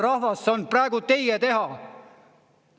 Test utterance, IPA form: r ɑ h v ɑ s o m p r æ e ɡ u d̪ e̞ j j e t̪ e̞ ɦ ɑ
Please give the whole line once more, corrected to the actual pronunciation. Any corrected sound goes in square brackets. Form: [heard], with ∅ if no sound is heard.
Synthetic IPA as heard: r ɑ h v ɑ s o [n] p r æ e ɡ u [t̪] e̞ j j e t̪ e̞ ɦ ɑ